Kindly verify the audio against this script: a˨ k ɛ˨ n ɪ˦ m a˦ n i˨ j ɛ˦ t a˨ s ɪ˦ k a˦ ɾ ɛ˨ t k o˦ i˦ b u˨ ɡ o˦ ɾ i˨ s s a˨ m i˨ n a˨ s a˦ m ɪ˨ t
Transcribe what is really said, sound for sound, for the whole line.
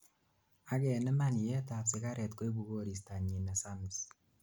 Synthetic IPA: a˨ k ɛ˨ n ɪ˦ m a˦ n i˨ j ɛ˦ t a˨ s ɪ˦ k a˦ ɾ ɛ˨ t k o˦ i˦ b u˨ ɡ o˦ ɾ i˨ s t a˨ ɲ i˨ n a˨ s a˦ m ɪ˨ s